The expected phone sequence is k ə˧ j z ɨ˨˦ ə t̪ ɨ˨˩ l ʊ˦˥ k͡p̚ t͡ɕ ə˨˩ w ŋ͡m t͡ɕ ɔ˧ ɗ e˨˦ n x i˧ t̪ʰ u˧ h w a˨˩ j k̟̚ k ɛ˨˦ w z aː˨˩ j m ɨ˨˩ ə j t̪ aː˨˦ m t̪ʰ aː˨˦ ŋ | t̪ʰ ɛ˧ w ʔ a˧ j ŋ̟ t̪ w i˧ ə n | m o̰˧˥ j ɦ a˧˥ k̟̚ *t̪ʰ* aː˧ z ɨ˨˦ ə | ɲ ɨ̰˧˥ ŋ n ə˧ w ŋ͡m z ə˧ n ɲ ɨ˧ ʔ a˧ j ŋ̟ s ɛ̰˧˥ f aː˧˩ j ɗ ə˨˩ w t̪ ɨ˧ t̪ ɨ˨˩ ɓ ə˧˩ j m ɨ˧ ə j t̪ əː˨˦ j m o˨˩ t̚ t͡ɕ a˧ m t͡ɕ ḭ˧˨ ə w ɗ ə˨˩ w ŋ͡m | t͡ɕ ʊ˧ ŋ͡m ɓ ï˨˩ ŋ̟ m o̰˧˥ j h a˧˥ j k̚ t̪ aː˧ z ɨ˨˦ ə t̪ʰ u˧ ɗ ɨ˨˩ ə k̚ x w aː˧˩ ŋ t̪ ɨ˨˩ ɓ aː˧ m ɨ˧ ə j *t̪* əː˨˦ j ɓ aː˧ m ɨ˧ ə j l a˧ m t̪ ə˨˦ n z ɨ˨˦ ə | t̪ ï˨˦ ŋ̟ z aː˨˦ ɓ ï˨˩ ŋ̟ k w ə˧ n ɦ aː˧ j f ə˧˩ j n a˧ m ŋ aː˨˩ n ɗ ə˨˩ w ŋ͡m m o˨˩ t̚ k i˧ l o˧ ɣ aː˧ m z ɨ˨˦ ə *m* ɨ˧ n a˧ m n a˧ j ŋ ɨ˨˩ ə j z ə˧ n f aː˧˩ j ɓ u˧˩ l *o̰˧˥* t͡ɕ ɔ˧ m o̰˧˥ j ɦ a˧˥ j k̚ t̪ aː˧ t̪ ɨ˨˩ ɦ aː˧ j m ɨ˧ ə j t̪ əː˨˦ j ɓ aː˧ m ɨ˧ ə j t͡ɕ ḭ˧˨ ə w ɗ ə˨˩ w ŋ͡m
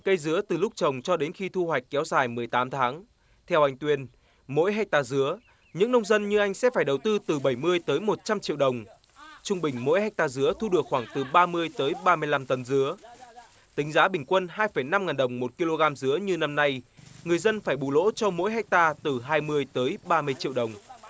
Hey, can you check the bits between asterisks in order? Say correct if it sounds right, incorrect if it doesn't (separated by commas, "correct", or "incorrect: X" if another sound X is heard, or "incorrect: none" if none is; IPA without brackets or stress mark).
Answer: incorrect: t̪, correct, incorrect: ɲ, correct